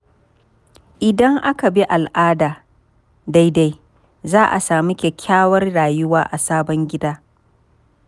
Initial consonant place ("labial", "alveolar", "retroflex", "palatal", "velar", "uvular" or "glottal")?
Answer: glottal